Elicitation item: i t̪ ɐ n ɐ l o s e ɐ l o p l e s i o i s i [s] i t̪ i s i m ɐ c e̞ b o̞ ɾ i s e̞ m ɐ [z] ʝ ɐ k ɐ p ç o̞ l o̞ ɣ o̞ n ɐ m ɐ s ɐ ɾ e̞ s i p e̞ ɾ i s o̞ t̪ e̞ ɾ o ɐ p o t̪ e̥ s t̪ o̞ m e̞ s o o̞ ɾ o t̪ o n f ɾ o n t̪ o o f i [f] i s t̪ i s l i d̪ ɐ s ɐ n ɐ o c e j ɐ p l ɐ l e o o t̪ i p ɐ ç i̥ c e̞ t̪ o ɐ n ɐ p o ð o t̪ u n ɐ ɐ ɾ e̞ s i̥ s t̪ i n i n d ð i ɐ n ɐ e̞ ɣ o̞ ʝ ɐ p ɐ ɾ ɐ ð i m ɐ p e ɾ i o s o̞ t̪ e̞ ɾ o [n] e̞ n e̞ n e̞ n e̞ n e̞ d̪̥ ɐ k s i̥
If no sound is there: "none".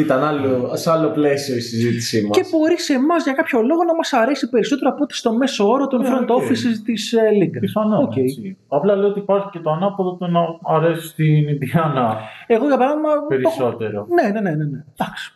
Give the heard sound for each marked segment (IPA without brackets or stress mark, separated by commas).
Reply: z, z, s, n